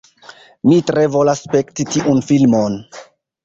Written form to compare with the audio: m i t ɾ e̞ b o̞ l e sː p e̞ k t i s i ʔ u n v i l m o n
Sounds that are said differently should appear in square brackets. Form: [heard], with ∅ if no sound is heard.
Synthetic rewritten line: m i t ɾ e̞ [v] o̞ l [a] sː p e̞ k t i [t] i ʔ u n [f] i l m o n